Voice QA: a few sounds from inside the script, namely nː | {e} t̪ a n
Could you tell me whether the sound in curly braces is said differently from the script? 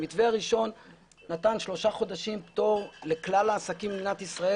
yes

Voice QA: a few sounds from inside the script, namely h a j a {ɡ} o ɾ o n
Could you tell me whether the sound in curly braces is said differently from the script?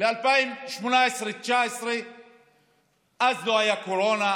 yes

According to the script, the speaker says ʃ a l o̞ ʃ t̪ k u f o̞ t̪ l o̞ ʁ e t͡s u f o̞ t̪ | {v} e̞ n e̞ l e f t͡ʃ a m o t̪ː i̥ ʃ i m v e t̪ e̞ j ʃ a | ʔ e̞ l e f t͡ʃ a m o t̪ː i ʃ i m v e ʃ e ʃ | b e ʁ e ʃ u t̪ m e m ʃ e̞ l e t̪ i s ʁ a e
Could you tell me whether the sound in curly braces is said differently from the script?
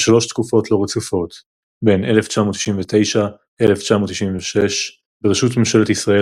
yes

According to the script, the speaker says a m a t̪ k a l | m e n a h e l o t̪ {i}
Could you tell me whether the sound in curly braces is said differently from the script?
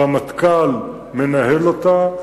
yes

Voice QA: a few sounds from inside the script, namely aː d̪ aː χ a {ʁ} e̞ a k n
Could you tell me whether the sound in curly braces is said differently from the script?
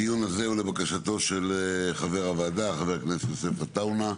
yes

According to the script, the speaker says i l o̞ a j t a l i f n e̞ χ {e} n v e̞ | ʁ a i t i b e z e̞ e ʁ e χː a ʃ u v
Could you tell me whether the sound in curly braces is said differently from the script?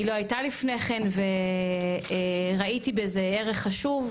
no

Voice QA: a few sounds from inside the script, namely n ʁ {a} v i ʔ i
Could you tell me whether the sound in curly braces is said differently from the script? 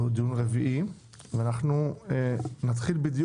yes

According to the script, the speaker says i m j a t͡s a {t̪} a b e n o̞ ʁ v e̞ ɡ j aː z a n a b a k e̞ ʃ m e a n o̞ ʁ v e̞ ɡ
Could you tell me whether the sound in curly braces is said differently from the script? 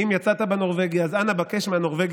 no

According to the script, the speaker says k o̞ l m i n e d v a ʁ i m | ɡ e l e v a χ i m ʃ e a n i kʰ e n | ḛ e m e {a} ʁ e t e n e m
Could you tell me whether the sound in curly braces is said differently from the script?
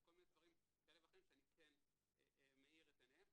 yes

